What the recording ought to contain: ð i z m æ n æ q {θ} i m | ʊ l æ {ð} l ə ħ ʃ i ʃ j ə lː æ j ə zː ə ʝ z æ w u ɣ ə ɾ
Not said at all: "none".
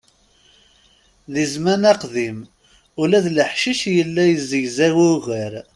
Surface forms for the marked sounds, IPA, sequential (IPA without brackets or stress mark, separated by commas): ð, ð